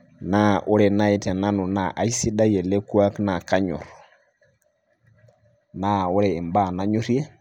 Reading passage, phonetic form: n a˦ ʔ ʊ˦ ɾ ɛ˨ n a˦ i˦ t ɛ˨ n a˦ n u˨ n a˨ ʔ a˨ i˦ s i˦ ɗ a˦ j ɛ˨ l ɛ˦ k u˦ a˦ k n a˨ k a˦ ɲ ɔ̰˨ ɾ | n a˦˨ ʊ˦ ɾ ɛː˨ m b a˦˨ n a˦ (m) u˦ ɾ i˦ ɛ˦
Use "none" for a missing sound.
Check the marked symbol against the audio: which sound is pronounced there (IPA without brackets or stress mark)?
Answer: ɲ